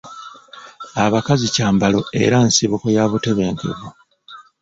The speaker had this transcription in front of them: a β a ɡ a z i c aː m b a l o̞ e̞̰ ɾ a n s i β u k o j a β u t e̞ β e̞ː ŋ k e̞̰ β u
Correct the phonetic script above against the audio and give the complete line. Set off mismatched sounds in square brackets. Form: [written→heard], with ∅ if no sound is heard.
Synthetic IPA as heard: a β a [ɡ→k] a z i c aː m b a l o̞ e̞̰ ɾ a n s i β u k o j a β u t e̞ β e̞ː ŋ k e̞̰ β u